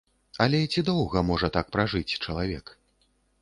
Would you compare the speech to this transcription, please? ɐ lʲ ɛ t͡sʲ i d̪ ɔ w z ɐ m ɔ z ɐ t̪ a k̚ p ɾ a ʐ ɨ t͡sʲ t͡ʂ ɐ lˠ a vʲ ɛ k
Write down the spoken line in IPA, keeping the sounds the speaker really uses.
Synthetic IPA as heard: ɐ lʲ ɛ t͡sʲ i d̪ ɔ w ɣ ɐ m ɔ ʐ ɐ t̪ a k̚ p ɾ a ʐ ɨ t͡sʲ t͡ʂ ɐ lˠ a vʲ ɛ k